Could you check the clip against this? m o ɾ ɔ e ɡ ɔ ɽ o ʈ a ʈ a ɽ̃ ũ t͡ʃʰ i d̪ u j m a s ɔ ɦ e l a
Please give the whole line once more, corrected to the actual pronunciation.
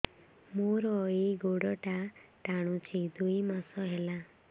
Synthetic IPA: m o ɾ ɔ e ɡ o ɽ ɔ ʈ a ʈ a ɽ̃ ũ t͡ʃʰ i d̪ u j m a s ɔ ɦ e l a